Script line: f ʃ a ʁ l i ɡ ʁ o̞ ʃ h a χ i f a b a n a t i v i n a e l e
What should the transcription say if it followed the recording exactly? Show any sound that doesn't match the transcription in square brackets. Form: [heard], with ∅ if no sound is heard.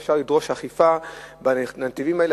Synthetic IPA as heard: f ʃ a ʁ l i [d] ʁ o̞ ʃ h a χ i f a b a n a t i v i [m] a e l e